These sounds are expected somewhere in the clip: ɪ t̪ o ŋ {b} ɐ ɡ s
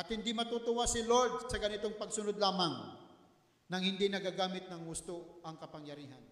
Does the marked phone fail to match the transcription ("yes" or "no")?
yes